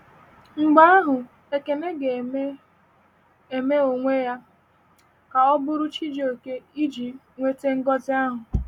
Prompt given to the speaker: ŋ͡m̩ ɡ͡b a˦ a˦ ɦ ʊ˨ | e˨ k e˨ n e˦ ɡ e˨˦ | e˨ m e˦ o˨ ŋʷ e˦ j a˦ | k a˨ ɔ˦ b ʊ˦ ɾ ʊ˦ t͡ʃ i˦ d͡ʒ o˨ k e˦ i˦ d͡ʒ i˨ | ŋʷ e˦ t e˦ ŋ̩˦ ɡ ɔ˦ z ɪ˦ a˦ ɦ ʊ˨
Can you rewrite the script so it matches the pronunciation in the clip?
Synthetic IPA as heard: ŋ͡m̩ ɡ͡b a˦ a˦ ɦ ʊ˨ | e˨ k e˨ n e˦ ɡ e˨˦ | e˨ m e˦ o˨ ŋʷ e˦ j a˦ | k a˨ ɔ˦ b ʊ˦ ɾ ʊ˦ t͡ʃ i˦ d͡ʒ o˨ k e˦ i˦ d͡ʒ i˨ | ŋʷ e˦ t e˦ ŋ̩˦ ɡ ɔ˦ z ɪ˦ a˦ ɦ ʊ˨